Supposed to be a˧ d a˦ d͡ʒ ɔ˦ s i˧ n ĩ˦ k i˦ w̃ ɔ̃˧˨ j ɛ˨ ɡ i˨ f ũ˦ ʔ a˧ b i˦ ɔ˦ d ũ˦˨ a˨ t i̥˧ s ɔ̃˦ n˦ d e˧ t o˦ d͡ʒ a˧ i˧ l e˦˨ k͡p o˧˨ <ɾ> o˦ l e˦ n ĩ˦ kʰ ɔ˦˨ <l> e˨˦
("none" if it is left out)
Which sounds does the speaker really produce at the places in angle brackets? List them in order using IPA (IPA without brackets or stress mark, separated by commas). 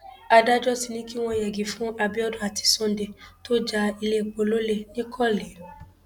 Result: l, l